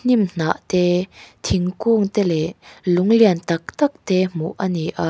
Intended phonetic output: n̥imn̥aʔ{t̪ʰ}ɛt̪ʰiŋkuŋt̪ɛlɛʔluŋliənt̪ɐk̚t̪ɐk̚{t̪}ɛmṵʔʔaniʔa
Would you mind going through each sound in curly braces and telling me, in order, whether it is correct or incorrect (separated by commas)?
incorrect, correct